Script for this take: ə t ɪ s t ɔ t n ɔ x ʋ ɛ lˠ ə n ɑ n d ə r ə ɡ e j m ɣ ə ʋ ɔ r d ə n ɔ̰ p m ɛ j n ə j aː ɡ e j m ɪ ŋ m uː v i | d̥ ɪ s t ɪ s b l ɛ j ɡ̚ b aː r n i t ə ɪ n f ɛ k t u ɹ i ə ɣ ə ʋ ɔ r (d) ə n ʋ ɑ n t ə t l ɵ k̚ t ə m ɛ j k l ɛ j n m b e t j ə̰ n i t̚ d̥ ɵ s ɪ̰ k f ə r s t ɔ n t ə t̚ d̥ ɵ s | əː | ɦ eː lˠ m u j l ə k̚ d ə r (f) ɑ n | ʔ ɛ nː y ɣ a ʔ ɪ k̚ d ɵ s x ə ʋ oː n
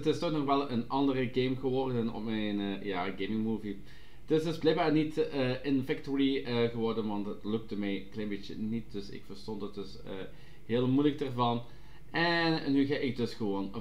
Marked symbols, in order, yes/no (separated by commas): yes, no